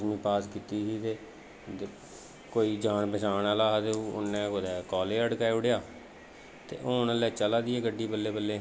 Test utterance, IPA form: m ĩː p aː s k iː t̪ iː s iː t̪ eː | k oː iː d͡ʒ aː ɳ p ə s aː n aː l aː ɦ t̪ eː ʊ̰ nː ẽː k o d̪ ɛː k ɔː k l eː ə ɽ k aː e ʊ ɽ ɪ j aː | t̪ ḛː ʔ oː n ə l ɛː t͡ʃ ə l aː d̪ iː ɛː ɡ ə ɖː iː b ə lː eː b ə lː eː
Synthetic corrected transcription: m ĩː p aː s k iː t̪ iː s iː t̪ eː | k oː iː d͡ʒ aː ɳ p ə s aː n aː l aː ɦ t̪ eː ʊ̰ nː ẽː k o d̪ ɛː k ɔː l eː ə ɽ k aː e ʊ ɽ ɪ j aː | t̪ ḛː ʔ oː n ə l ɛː t͡ʃ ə l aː d̪ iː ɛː ɡ ə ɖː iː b ə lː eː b ə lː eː